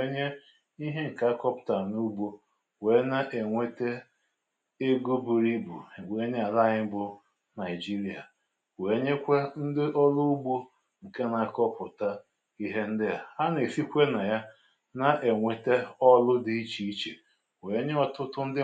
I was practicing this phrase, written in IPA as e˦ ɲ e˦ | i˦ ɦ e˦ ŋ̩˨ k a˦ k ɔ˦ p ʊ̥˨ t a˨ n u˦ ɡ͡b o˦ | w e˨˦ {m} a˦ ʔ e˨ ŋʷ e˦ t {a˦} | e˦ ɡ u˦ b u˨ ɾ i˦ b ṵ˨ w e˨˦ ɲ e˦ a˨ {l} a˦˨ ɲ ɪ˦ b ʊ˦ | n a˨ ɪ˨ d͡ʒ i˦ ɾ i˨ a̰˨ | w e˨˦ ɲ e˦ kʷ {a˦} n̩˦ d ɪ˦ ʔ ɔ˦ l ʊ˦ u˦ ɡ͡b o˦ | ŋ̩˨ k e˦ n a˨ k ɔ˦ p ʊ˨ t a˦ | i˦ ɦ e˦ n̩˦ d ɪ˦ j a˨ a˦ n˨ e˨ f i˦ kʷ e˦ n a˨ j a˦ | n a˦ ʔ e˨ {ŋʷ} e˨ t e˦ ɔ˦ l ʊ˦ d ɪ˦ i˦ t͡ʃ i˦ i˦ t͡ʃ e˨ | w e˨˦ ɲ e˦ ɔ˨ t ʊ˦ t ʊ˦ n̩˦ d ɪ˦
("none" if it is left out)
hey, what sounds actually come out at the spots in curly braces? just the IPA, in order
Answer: n, e˦, l, e˦, ŋʷ

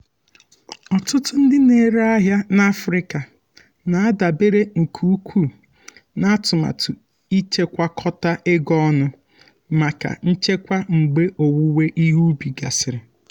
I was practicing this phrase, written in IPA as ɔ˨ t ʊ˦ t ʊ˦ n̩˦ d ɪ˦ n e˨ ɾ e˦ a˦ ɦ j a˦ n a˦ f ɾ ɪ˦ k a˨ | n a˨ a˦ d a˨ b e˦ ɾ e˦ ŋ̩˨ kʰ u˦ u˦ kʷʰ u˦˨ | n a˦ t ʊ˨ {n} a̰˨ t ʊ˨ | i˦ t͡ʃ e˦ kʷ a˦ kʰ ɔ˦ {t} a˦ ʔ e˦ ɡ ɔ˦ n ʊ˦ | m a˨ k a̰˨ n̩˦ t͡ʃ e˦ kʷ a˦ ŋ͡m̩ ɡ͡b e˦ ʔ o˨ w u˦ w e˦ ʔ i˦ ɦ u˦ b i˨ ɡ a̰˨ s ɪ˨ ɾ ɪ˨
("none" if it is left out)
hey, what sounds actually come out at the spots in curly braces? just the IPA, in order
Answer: m, t

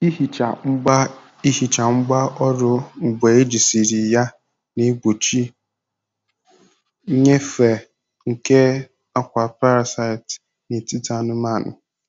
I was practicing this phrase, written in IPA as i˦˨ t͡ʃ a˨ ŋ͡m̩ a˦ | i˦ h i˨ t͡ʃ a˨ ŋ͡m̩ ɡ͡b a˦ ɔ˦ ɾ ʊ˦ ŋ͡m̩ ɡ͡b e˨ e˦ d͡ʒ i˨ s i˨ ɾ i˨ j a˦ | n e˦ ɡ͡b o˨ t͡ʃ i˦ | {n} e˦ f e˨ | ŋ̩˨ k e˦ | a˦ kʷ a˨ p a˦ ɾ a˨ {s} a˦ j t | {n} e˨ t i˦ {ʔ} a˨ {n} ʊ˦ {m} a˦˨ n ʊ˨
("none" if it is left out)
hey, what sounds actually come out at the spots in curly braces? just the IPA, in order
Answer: ɲ, s, n, t, n, m

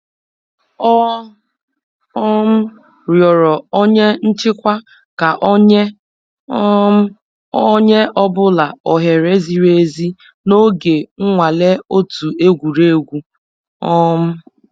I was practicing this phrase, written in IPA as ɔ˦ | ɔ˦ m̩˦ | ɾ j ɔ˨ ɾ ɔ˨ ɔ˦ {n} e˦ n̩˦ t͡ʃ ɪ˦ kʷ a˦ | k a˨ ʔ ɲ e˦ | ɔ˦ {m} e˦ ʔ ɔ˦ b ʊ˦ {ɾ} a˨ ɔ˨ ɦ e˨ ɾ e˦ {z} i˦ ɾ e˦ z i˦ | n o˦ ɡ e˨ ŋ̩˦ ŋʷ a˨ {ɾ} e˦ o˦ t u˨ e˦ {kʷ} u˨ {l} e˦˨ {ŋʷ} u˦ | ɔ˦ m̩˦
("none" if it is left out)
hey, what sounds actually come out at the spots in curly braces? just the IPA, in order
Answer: ɲ, ɲ, l, z, l, ɡʷ, ɾ, ɡʷ

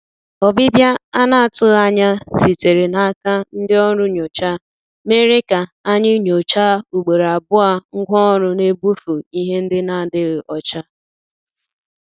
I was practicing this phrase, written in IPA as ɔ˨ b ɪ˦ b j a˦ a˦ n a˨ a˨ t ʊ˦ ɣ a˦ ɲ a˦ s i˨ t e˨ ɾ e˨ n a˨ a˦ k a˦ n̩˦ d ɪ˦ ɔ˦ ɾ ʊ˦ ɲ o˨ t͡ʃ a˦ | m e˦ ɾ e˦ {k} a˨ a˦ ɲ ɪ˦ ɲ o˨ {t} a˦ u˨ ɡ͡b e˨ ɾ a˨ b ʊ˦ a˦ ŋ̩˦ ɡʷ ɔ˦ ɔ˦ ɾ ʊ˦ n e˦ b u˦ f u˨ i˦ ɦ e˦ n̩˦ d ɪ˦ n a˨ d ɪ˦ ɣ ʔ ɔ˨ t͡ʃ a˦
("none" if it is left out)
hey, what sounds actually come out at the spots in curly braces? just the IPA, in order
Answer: k, t͡ʃ

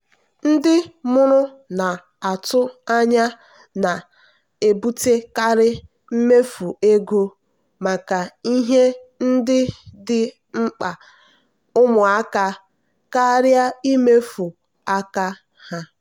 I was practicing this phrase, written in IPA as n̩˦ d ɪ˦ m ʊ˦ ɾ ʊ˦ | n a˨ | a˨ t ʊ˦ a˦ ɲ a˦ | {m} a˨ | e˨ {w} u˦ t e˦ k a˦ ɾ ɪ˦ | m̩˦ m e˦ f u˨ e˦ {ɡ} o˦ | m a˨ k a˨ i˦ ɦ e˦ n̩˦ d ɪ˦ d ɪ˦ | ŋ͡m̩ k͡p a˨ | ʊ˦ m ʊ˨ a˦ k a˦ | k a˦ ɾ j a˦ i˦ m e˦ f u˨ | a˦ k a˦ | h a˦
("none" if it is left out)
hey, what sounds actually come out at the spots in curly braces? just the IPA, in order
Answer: n, b, ɡ

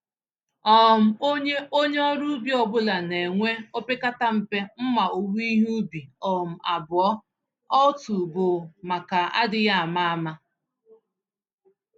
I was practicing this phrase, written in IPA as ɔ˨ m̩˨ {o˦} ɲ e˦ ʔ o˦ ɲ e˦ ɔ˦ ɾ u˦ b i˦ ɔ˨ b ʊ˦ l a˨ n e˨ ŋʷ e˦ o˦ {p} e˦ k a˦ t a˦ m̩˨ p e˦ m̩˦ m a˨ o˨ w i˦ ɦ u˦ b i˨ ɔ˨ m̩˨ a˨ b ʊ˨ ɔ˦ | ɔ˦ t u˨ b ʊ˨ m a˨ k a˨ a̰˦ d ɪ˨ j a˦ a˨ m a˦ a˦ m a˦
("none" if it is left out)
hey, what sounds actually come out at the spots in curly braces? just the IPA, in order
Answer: o˦, p

